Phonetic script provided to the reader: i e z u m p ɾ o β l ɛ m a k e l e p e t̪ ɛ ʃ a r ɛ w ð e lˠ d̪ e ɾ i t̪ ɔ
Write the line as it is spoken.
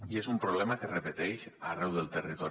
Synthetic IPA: i e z u m p ɾ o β l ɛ m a k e r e p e t̪ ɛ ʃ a r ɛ w ð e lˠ t̪ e r i t̪ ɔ